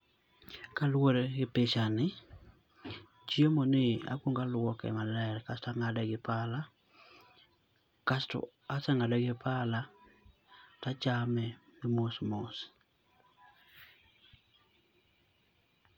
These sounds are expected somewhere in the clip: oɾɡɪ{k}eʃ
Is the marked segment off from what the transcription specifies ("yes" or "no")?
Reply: yes